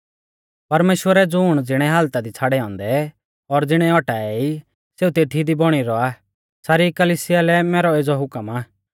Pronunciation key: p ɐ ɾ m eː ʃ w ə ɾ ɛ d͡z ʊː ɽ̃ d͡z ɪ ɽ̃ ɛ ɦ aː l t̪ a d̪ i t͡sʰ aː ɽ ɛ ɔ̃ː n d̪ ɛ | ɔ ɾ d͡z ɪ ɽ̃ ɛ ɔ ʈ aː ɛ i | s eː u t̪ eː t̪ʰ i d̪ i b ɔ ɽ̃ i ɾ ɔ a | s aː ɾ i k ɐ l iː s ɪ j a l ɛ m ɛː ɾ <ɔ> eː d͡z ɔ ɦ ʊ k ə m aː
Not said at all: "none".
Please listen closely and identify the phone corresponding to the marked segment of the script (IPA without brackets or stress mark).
ɔ